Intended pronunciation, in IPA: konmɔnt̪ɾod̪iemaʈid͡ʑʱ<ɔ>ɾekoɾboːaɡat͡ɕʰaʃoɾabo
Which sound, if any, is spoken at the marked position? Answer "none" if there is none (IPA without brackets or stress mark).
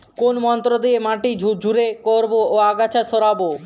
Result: u